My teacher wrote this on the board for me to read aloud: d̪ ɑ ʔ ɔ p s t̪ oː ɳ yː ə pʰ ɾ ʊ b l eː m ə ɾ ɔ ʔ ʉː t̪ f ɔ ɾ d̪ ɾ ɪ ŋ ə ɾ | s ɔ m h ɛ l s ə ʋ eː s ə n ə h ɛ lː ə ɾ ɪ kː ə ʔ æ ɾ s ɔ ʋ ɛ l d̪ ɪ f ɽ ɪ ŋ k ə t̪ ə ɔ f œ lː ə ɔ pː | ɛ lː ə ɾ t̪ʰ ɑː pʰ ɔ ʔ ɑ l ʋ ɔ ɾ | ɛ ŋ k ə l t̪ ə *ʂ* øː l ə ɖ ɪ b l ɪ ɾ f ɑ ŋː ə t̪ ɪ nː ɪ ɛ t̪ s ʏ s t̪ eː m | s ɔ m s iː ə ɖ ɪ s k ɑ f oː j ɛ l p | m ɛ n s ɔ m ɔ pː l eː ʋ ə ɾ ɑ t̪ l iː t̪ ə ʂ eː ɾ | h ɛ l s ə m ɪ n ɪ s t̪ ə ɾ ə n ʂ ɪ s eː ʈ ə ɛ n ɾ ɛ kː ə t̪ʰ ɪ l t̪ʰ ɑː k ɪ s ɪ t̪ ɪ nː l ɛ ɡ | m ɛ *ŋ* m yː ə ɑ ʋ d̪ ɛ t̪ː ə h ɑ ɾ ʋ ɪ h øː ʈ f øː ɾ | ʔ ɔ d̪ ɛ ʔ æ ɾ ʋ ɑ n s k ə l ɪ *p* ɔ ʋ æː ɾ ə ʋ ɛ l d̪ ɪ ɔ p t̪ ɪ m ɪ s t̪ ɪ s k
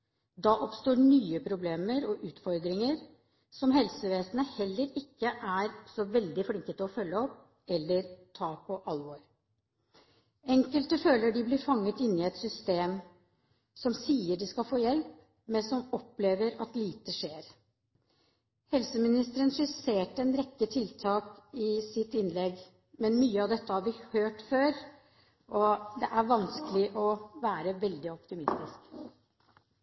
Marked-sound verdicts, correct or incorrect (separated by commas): incorrect, incorrect, incorrect